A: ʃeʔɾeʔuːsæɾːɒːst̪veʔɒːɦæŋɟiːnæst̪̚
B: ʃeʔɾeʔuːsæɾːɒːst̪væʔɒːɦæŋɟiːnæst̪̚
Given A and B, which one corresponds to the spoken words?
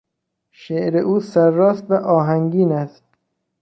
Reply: B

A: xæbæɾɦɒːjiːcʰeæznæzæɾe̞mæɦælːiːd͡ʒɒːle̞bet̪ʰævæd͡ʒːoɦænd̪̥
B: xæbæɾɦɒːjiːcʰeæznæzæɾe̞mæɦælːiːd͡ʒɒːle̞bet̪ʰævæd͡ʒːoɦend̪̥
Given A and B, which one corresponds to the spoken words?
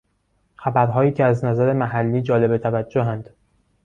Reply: A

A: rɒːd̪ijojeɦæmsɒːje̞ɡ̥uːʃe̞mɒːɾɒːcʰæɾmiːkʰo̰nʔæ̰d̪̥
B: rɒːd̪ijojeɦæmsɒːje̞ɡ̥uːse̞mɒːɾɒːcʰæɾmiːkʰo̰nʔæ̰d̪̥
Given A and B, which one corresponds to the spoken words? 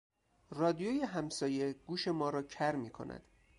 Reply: A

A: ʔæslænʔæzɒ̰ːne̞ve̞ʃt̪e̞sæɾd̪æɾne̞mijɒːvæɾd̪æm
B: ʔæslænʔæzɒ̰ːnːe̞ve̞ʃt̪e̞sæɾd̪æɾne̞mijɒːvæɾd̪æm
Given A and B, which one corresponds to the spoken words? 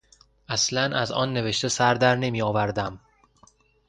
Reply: B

